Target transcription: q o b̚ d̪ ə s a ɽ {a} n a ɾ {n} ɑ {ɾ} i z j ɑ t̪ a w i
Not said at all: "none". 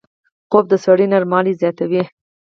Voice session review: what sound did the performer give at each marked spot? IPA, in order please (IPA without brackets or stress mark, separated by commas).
i, m, l